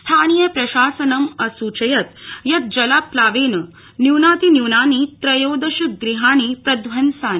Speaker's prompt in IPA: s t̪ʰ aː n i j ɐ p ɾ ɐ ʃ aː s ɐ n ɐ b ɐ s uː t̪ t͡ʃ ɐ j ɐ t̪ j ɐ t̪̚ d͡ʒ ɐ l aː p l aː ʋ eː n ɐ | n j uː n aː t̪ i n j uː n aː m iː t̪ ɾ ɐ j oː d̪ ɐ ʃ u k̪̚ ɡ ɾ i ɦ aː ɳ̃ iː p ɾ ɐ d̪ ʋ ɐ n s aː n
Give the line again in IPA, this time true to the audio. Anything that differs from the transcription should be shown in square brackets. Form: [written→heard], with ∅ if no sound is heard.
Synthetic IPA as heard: s t̪ʰ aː n i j ɐ p ɾ ɐ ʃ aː s ɐ n ɐ [b→m] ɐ s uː [t̪→∅] t͡ʃ ɐ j ɐ t̪ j ɐ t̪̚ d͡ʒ ɐ l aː p l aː ʋ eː n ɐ | n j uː n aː t̪ i n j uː n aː [m→n] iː t̪ ɾ ɐ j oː d̪ ɐ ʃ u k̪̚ ɡ ɾ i ɦ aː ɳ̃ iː p ɾ ɐ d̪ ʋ ɐ n s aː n